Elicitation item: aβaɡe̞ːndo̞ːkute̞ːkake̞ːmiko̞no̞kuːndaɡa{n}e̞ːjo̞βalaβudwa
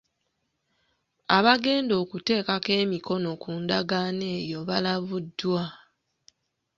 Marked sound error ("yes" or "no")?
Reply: no